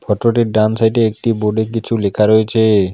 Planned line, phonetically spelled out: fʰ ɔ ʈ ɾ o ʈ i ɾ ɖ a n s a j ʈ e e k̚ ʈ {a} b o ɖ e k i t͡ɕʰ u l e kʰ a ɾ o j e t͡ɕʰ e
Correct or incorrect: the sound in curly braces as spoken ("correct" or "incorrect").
incorrect